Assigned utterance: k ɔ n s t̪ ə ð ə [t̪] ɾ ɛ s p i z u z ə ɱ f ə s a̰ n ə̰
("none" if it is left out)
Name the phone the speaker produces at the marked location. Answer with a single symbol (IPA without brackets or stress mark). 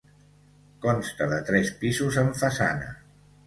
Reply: t̪